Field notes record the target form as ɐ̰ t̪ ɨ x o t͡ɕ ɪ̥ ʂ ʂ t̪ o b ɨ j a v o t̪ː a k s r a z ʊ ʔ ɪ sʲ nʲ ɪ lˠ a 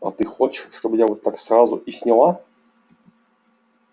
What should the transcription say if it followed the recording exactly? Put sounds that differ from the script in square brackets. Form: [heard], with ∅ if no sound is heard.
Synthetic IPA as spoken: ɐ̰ t̪ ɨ x o t͡ɕ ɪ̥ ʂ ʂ t̪ o b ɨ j a v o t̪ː a k s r a z ʊ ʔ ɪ sʲ nʲ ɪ lˠ a